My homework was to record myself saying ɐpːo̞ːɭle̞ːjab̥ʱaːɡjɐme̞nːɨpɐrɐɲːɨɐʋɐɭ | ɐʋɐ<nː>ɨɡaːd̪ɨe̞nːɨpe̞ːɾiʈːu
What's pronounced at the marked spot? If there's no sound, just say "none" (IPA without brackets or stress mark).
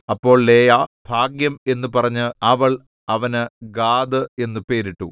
n